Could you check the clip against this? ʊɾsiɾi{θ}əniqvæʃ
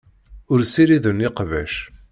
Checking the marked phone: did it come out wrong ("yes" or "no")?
yes